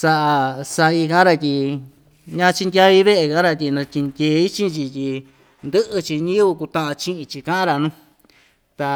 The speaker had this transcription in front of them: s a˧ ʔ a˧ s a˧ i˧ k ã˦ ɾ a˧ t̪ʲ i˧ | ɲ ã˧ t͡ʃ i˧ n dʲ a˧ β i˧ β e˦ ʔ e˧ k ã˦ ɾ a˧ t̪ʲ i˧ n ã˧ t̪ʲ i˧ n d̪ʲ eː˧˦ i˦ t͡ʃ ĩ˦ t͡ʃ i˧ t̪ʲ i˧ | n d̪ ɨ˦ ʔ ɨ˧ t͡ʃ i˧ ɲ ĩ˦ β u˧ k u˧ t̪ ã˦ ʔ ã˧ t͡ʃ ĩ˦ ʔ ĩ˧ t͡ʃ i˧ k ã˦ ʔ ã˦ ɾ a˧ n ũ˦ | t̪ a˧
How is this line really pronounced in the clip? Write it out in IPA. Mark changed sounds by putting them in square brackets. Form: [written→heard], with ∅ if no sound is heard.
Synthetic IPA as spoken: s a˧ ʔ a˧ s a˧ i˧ k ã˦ ɾ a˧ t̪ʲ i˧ | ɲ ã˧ t͡ʃ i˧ n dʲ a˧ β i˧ β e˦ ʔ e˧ k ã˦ ɾ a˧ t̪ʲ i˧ n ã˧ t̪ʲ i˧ n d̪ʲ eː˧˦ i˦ t͡ʃ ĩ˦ t͡ʃ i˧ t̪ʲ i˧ | n d̪ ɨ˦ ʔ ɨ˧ t͡ʃ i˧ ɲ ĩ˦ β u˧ k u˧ t̪ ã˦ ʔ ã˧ t͡ʃ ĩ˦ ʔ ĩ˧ t͡ʃ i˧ k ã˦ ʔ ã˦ ɾ a˧ n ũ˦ | t̪ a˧